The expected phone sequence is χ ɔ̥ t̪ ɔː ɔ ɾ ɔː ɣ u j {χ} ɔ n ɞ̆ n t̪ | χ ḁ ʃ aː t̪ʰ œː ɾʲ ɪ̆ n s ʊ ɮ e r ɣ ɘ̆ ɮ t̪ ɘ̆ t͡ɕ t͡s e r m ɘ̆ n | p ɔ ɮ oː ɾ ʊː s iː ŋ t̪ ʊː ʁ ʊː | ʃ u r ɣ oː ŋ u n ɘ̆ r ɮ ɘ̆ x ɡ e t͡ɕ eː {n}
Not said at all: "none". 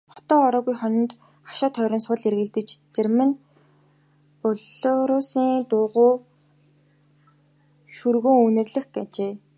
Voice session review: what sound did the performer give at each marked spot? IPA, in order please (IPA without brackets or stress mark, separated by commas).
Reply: χ, none